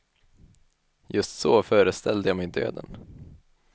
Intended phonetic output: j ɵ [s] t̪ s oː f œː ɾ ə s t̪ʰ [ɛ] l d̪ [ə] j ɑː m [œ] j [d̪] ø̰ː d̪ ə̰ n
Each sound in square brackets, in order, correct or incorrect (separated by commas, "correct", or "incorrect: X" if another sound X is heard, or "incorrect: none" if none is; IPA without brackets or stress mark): correct, correct, correct, incorrect: ɛ, correct